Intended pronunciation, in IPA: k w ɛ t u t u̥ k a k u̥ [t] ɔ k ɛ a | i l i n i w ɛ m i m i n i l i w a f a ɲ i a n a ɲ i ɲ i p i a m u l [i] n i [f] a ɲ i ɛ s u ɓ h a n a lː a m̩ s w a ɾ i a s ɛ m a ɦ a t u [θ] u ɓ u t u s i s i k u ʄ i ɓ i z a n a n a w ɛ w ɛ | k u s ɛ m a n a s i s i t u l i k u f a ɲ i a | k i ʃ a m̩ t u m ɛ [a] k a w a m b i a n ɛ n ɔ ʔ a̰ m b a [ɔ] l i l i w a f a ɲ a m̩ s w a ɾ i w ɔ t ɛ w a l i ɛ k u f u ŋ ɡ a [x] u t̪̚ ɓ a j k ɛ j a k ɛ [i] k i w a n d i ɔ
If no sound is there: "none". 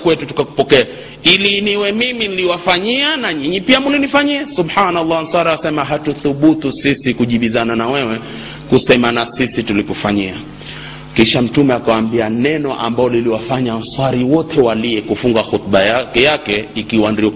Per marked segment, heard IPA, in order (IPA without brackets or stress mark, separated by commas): p, i, f, θ, a, ɔ, x, i